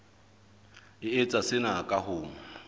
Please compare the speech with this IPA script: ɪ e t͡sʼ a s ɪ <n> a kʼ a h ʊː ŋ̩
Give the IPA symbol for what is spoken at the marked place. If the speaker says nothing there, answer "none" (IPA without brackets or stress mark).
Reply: n